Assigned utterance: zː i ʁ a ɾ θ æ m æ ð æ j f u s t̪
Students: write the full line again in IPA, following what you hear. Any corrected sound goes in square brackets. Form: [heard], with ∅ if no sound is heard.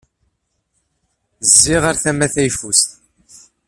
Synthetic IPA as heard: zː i ʁ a ɾ θ æ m æ [θ] æ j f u s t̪